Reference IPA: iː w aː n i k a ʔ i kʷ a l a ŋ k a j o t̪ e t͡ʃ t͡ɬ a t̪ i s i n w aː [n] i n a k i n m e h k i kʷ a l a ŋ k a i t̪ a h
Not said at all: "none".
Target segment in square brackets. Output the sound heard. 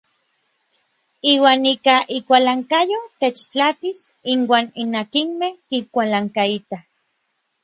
n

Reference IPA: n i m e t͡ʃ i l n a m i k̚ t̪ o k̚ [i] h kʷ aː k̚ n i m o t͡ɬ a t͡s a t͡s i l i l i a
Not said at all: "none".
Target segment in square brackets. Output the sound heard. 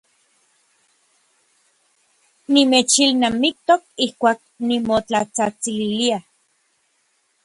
i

